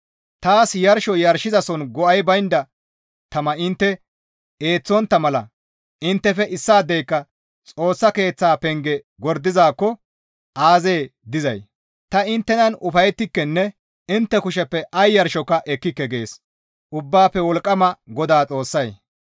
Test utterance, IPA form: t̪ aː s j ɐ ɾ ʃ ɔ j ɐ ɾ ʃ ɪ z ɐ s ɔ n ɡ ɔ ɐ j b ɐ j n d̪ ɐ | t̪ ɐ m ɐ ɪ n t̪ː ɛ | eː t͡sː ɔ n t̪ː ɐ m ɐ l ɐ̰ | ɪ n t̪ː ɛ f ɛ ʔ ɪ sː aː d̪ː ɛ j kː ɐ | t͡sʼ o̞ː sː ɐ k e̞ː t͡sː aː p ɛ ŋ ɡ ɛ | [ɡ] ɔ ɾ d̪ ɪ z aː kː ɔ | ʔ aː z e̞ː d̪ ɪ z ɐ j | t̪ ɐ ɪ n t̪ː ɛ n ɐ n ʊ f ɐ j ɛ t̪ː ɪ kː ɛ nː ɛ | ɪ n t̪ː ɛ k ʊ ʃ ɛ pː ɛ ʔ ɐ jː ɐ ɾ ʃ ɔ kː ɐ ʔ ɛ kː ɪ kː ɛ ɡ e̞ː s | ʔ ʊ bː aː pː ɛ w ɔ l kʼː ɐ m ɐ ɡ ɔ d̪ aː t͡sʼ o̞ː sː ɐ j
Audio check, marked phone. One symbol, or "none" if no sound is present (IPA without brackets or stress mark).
ɡ